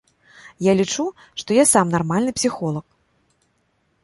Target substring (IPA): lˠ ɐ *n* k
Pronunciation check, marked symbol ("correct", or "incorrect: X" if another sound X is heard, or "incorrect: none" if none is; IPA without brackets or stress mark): incorrect: none